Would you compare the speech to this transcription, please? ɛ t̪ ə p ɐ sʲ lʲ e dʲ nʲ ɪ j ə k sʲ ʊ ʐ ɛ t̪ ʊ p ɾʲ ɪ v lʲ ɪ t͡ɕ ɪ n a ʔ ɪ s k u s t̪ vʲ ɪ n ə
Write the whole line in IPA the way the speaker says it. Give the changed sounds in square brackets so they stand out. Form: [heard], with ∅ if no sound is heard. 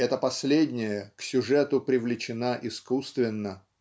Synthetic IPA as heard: ɛ t̪ ə p ɐ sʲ lʲ e dʲ nʲ ɪ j ə k sʲ ʊ ʐ ɛ t̪ ʊ p ɾʲ ɪ v lʲ ɪ t͡ɕ ɪ n a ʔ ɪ s k u s t̪ vʲ ɪ [nː] ə